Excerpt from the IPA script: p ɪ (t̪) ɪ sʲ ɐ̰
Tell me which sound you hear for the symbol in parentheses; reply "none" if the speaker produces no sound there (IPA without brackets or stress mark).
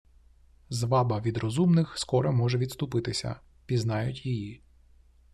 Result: t̪